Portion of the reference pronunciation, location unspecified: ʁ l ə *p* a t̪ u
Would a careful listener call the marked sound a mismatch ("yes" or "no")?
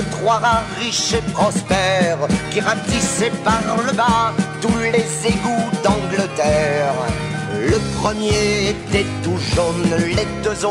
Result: yes